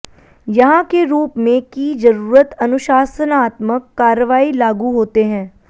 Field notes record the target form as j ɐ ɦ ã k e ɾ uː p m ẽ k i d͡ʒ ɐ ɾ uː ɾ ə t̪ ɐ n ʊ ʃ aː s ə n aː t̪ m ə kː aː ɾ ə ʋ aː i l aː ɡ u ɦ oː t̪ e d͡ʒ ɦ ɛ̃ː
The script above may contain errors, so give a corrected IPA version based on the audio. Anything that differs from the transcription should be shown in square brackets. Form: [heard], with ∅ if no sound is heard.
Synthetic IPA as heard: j ɐ ɦ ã k e ɾ uː p m ẽ k i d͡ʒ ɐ ɾ uː ɾ ə t̪ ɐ n ʊ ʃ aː s ə n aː t̪ m ə kː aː ɾ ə ʋ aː i l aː ɡ u ɦ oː t̪ e [∅] ɦ ɛ̃ː